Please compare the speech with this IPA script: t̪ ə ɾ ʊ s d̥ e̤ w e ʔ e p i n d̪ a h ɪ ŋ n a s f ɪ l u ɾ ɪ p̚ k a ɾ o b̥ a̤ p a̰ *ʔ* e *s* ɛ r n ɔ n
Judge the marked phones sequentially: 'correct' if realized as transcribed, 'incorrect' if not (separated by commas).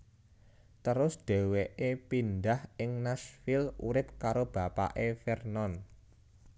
correct, incorrect